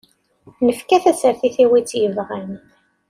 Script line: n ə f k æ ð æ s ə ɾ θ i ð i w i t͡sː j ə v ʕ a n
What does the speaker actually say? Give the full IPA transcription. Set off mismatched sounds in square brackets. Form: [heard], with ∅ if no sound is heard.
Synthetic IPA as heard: n ə f k æ [θ] æ s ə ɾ θ i [θ] i w i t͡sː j ə v [ʁ] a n

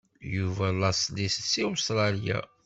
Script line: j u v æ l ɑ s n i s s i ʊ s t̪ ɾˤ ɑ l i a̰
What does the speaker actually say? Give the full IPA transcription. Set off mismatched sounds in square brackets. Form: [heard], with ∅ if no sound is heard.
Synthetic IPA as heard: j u v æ l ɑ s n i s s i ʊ s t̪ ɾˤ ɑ l [j] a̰

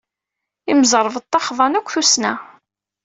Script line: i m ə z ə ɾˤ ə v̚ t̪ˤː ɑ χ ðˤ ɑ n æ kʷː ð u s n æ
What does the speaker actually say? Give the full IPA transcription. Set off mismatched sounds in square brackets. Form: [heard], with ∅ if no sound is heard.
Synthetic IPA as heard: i m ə z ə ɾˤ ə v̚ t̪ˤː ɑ χ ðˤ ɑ n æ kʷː [θ] u s n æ

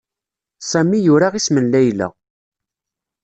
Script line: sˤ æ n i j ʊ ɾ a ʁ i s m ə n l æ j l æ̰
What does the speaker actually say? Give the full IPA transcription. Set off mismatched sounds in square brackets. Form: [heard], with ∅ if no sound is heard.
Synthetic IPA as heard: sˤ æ [m] i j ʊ ɾ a ʁ i s m ə n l æ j l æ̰

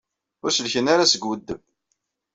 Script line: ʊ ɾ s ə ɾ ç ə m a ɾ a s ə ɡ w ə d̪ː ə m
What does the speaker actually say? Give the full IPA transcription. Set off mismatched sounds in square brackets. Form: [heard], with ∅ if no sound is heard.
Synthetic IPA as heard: ʊ ɾ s ə [l] ç ə [n] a ɾ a s ə ɡ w ə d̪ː ə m

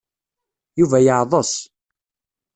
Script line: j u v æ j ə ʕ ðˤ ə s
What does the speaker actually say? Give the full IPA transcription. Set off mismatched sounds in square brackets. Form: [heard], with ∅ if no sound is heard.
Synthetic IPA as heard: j u v æ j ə ʕ ðˤ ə s

